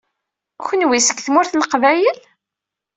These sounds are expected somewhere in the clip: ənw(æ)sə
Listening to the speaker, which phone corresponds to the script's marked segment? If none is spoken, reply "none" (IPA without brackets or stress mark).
i